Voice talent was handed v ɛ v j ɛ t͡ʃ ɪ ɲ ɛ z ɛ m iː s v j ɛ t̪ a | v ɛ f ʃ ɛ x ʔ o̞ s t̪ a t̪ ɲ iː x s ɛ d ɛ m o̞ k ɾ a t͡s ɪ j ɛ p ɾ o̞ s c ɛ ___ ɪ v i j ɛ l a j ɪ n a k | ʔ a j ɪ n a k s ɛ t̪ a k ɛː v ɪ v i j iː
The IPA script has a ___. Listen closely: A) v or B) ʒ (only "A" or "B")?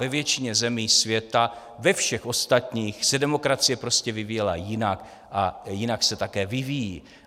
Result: A